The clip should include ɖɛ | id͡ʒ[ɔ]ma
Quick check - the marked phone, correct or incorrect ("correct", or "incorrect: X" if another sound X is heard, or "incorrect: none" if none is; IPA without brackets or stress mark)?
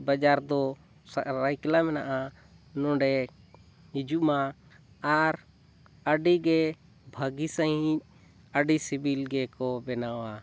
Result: incorrect: u